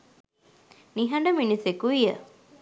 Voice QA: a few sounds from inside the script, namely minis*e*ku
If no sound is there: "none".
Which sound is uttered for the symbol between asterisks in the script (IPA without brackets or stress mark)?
e